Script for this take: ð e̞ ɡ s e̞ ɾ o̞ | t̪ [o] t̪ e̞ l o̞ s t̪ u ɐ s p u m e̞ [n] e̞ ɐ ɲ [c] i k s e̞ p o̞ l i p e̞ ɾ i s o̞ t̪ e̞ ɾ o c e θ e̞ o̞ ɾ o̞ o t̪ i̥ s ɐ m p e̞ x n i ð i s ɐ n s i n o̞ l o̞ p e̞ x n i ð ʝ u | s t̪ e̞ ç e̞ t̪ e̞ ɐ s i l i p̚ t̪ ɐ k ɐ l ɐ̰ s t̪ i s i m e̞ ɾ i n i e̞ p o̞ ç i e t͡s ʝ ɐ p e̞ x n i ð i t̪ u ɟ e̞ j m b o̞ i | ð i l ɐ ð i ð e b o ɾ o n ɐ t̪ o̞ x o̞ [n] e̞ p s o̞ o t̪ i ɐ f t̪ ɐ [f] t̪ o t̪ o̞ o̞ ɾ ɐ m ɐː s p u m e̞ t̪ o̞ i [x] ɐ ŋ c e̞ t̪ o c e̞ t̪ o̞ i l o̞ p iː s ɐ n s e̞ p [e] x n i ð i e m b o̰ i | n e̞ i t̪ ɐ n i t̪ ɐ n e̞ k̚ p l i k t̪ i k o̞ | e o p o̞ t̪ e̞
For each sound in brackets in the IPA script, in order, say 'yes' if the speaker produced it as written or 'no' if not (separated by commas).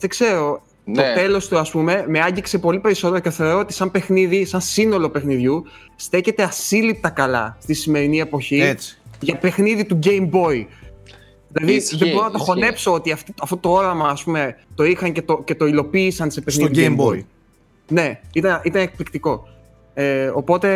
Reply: yes, no, no, yes, yes, yes, yes